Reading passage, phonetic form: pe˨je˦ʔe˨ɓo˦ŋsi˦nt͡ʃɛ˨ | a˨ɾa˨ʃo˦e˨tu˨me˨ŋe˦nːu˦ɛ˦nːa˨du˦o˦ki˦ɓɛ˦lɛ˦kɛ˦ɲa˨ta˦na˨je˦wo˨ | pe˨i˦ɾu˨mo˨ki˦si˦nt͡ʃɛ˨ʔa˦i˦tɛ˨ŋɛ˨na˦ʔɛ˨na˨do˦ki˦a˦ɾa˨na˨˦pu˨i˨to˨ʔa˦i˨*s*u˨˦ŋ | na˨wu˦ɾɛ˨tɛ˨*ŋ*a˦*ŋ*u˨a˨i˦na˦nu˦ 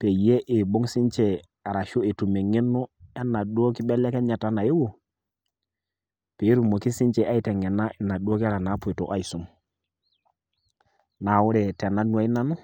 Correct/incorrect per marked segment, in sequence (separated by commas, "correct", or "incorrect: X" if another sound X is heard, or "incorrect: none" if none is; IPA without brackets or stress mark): correct, incorrect: n, incorrect: n